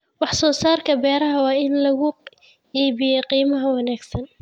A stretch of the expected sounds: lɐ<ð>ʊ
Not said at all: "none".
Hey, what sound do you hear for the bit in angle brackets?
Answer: ɣ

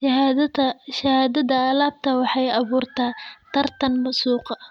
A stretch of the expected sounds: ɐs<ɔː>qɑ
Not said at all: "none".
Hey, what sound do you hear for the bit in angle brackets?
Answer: uː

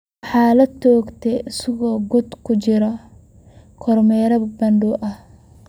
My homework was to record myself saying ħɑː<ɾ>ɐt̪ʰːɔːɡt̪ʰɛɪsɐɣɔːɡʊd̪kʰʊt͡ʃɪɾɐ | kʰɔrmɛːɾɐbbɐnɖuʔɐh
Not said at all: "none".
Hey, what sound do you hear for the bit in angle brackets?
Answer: l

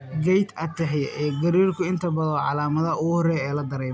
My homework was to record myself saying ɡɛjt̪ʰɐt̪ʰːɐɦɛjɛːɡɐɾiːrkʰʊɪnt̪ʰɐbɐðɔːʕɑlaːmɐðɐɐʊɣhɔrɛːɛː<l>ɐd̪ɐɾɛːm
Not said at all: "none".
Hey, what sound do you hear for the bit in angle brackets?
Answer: l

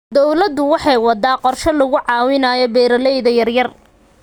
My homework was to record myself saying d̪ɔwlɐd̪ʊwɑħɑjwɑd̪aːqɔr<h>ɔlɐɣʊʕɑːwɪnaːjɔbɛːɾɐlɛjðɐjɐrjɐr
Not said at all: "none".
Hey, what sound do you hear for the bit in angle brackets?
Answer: ʃ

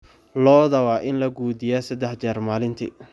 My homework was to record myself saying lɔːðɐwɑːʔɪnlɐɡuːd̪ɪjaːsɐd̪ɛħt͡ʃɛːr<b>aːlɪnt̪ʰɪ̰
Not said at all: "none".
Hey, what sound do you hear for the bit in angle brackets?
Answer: m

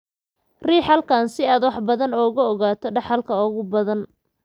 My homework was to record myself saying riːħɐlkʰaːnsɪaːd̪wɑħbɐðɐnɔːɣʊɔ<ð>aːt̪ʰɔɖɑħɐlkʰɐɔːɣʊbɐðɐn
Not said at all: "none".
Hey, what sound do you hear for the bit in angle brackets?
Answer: ɣ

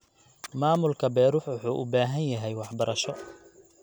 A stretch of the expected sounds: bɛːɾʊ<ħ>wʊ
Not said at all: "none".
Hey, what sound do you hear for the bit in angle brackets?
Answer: ħ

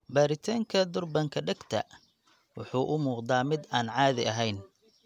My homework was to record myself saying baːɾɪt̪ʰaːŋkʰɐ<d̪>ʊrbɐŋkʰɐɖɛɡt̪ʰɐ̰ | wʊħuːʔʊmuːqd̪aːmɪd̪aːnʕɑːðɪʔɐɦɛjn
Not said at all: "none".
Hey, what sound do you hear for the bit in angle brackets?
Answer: d̪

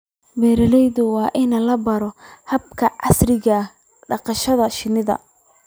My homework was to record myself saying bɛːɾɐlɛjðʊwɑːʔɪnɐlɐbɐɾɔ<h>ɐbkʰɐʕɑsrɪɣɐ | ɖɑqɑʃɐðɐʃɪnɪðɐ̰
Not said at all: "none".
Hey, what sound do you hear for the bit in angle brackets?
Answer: h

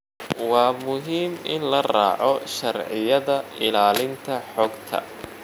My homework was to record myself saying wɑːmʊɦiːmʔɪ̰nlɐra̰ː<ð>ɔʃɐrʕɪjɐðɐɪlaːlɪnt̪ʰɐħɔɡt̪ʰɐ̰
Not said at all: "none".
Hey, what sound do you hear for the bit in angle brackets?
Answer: ʕ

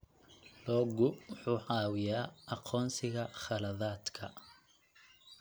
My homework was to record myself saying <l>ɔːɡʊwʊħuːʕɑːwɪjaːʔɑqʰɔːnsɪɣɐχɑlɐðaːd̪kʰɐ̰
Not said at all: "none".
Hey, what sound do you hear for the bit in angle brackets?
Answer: l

